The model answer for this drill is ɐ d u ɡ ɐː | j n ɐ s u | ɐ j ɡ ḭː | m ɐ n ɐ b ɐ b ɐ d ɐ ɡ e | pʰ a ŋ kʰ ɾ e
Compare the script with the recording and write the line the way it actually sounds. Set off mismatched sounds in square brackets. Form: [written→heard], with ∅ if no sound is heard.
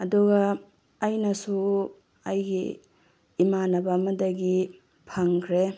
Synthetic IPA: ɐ d u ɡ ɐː | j n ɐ s u | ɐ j ɡ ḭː | m [ɐ→a] n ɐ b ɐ [b→m] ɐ d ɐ ɡ [e→i] | pʰ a ŋ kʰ ɾ e